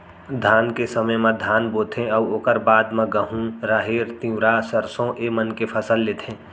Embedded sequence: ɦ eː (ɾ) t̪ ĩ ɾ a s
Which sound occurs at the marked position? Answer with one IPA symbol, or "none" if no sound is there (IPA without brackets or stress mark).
ɾ